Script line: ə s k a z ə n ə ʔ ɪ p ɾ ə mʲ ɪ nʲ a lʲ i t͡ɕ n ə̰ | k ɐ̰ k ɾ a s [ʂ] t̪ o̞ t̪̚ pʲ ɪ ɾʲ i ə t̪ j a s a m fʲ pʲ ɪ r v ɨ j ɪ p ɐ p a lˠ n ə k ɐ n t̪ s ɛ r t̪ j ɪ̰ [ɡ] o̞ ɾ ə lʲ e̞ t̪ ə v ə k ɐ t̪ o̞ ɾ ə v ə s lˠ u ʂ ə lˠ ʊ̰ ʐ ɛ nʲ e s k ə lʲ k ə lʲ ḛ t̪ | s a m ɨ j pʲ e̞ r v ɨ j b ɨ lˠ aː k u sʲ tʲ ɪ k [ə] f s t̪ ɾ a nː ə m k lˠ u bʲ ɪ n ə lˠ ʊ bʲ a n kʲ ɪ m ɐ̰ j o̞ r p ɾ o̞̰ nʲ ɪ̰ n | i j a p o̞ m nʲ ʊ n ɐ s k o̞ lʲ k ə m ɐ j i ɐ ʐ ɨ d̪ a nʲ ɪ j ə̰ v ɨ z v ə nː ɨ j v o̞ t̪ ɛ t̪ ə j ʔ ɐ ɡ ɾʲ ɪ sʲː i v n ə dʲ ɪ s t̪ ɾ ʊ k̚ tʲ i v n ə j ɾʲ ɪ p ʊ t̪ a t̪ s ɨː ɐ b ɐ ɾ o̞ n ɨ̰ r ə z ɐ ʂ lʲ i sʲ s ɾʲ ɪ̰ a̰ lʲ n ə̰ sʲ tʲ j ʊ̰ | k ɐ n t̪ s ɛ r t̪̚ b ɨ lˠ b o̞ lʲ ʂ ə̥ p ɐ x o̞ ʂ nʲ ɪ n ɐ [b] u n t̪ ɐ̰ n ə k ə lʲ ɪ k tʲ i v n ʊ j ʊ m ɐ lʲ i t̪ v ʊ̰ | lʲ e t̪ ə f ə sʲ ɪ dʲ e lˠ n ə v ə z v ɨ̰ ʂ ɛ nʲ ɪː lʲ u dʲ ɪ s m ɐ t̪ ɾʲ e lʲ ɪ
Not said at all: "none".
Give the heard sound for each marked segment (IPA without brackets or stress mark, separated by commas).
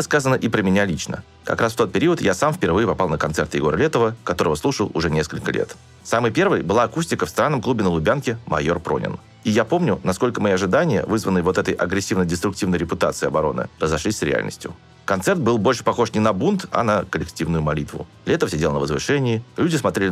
f, ɡ, ə, b